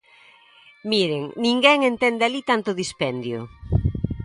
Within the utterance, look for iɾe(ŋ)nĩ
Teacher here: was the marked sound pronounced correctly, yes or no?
yes